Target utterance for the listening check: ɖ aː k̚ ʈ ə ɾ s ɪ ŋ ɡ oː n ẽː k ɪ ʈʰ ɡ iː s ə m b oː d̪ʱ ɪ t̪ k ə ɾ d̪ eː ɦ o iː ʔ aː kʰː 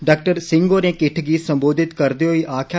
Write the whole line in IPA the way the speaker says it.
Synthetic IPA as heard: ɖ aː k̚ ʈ ə ɾ s ɪ ŋ ɡ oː n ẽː k ɪ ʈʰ ɡ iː s ə m b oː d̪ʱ ɪ t̪ k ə ɾ d̪ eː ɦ o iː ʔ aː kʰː